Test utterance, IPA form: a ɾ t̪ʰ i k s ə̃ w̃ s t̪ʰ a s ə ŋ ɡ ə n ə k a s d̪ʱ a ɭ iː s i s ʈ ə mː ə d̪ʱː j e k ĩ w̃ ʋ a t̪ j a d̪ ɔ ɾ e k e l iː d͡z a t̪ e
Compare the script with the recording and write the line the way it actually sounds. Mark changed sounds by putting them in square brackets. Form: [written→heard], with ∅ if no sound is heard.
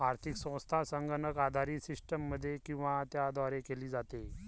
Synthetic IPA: a ɾ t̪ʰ i k s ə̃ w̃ s t̪ʰ a s ə ŋ ɡ ə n ə k a [s→∅] d̪ʱ a [ɭ→ɾ] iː s i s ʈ ə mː ə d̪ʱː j e k ĩ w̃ ʋ a t̪ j a d̪ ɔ ɾ e k e l iː d͡z a t̪ e